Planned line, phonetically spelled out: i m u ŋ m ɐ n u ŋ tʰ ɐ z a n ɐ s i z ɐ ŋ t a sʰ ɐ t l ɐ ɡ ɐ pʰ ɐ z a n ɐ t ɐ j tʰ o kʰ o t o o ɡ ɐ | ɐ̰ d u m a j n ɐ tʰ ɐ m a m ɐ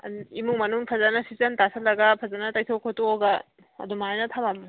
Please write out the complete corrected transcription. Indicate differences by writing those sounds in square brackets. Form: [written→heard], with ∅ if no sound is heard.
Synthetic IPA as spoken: i m u ŋ m ɐ n u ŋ [tʰ→pʰ] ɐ z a n ɐ s i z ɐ [ŋ→n] t a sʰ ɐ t l ɐ ɡ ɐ pʰ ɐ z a n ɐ t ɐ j tʰ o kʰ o t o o ɡ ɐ | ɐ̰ d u m a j n ɐ tʰ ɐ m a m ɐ